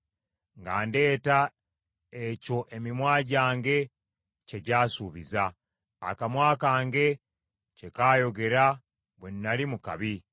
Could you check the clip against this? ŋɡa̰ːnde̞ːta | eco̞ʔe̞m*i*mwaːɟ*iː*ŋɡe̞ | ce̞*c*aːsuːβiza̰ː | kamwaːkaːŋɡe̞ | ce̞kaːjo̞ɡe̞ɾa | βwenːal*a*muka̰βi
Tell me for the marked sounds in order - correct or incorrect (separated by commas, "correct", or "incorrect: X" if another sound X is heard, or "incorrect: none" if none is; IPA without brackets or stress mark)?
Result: correct, incorrect: aː, incorrect: ɟ, incorrect: i